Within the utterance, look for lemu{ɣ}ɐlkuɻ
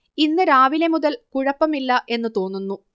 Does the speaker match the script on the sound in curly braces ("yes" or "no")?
no